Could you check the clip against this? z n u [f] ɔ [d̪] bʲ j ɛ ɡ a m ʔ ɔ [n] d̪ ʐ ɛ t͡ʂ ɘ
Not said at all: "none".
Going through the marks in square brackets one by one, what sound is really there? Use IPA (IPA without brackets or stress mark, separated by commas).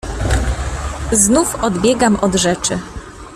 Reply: f, d̪, none